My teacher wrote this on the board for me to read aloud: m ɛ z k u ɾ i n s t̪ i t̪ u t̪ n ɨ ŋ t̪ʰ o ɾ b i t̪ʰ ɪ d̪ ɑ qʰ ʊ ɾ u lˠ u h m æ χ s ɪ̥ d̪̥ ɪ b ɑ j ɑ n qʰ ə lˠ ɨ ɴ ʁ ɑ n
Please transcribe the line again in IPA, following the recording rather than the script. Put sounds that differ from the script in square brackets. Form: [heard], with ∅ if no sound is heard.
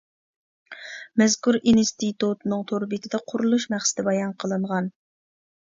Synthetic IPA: m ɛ z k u ɾ i n s t̪ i t̪ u t̪ n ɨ ŋ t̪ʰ o ɾ b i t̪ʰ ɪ d̪ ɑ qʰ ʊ ɾ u lˠ u [ʃ] m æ χ s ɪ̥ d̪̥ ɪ b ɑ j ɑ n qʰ ə lˠ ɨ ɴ ʁ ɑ n